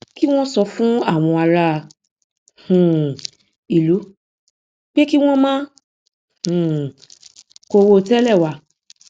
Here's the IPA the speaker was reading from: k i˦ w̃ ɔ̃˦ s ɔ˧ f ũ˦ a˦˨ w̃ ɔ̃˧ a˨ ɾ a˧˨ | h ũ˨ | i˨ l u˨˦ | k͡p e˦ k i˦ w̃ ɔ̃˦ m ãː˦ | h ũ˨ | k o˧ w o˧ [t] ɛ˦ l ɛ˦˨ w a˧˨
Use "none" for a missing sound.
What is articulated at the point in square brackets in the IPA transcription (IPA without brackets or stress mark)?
t